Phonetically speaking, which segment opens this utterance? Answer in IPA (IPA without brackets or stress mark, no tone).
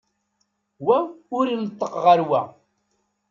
w